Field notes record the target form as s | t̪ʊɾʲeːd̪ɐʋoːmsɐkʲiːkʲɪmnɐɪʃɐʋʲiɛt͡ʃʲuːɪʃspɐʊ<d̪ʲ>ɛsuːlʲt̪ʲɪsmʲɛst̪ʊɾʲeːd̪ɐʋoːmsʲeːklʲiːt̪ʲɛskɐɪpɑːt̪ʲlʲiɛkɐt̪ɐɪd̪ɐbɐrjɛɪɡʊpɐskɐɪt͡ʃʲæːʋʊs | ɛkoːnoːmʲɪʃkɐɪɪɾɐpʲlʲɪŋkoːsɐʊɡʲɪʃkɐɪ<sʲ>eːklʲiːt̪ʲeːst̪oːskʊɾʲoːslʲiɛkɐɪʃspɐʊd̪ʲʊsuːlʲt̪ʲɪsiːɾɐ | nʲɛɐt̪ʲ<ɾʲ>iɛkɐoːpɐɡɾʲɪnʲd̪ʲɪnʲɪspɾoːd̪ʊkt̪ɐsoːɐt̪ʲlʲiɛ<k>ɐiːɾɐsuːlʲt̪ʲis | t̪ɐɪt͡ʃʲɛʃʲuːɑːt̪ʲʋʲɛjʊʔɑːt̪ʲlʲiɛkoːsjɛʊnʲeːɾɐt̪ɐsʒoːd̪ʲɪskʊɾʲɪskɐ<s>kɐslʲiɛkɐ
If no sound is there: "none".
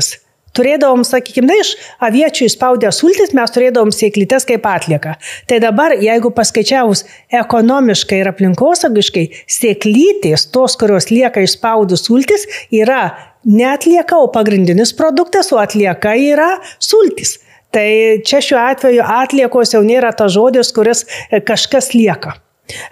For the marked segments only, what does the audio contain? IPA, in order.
d̪ʲ, sʲ, lʲ, k, ʃ

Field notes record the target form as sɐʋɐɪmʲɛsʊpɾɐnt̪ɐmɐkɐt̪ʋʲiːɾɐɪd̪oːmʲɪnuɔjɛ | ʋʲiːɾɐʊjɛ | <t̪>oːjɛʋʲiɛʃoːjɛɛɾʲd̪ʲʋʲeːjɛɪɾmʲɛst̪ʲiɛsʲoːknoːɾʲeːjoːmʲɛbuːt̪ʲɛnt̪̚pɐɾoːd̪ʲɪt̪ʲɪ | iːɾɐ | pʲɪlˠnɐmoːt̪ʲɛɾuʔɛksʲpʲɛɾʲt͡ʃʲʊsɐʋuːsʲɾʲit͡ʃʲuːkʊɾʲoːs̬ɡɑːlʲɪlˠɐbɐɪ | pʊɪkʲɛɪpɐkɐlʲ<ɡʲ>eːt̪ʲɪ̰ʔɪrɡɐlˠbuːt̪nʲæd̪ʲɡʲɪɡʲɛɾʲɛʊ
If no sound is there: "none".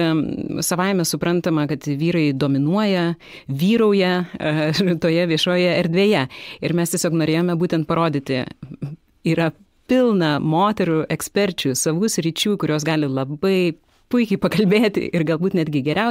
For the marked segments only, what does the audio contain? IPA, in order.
t̪, bʲ

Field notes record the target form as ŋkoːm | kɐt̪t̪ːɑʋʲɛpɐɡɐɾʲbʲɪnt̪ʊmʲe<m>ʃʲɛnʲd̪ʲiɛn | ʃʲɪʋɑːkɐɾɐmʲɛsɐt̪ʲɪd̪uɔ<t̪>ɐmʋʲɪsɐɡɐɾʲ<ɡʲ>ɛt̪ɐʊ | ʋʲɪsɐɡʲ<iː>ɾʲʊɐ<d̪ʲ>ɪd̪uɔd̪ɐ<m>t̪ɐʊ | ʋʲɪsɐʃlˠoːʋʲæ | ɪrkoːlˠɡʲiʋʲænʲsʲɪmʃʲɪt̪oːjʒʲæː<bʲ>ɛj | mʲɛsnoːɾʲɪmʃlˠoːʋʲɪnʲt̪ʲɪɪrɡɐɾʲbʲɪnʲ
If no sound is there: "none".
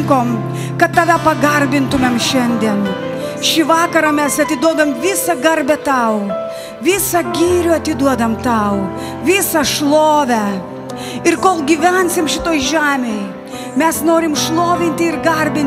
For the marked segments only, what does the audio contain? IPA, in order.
m, d̪, bʲ, iː, t̪ʲ, m, mʲ

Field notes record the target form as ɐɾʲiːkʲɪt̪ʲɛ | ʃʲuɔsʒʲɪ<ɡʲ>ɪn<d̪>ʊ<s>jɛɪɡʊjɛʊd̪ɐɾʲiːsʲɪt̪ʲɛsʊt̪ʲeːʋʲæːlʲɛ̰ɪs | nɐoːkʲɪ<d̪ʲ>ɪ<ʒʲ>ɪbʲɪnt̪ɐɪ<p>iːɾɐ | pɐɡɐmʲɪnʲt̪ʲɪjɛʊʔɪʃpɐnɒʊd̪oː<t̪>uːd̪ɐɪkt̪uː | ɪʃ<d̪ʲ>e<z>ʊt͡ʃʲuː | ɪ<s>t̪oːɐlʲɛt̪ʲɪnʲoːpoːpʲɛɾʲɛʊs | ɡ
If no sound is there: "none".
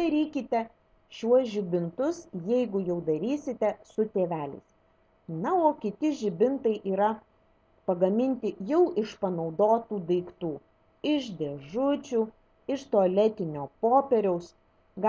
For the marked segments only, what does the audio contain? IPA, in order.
bʲ, t̪, s, t̪ʲ, ʒʲ, ʔ, t̪, d̪ʲ, ʒ, ʃ

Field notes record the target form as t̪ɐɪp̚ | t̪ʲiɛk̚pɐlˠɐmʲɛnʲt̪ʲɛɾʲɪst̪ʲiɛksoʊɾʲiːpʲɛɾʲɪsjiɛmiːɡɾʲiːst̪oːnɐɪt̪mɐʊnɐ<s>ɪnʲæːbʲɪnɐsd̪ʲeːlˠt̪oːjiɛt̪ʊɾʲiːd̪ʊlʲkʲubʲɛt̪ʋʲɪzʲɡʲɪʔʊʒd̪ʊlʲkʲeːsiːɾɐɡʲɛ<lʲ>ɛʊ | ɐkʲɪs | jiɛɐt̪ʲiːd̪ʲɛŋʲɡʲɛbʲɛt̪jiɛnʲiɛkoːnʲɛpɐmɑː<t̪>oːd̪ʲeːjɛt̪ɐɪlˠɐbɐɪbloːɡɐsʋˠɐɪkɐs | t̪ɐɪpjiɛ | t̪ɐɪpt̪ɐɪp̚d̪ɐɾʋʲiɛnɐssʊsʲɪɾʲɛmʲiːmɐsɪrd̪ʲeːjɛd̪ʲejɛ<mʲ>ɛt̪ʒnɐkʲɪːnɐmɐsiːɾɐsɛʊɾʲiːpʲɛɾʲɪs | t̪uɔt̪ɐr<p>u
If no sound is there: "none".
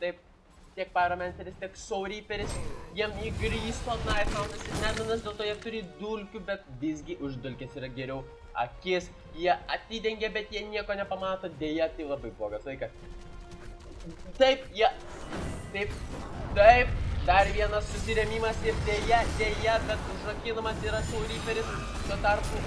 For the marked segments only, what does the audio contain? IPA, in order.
s, ɾʲ, t̪, bʲ, p

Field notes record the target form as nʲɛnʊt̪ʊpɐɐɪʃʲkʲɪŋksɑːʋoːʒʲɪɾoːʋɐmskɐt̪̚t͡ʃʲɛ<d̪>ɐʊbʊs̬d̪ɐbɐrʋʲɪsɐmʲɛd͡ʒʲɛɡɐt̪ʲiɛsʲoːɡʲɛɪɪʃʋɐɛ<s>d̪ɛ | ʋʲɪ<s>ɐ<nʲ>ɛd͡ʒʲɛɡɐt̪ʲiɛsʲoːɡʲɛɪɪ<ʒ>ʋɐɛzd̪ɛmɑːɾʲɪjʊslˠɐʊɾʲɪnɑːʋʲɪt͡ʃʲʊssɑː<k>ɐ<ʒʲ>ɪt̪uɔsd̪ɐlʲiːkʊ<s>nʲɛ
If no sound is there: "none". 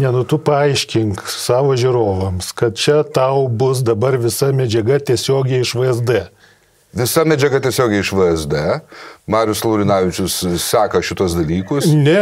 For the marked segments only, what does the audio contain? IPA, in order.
t̪, z, s, mʲ, ʃ, k, ʃʲ, s

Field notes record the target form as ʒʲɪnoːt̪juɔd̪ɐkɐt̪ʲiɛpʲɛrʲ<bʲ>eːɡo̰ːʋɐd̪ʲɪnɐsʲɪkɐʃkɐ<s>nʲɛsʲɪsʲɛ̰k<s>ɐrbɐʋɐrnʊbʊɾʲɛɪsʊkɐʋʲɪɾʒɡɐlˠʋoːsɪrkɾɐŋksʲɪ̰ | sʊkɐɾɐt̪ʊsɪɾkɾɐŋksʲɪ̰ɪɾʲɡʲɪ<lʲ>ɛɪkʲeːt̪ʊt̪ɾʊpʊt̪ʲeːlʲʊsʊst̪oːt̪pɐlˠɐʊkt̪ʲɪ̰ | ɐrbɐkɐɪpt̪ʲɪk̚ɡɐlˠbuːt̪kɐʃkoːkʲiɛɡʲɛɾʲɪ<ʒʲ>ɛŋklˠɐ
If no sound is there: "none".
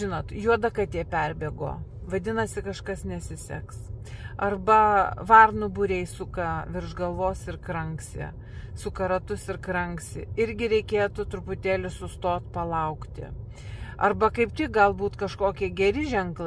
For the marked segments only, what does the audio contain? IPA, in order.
bʲ, s, s, ɾʲ, ʒʲ

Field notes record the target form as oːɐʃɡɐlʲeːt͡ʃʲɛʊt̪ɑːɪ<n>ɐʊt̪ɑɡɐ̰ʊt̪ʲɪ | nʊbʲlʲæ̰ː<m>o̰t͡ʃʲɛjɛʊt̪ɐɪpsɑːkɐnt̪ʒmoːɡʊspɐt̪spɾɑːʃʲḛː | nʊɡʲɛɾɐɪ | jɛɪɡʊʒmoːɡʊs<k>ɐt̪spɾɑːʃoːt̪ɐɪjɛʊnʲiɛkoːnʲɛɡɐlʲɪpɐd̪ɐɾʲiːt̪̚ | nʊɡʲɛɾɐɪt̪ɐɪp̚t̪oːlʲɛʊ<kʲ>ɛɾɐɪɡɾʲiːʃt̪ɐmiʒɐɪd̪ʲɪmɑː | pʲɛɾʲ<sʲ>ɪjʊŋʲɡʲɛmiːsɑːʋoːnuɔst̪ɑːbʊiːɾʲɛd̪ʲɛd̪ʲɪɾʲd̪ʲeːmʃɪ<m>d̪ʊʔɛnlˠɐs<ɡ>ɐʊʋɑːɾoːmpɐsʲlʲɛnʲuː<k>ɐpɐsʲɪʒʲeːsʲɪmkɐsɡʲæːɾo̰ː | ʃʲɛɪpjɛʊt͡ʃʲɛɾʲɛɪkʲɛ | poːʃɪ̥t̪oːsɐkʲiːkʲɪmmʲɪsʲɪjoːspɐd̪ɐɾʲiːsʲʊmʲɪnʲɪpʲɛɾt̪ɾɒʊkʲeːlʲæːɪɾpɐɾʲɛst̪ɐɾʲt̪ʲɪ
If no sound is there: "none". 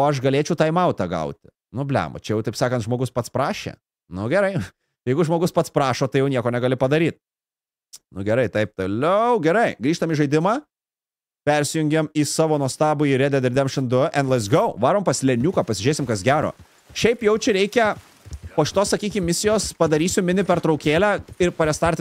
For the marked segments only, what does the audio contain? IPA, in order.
m, m, p, ɡʲ, sʲ, n, ɡ, k

